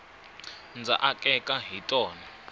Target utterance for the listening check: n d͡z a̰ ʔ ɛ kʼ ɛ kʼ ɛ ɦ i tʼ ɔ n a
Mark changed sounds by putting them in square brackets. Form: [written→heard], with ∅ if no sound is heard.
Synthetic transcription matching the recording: n d͡z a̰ ʔ [ɛ→a] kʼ ɛ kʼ [ɛ→a] ɦ i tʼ [ɔ→ɔː] n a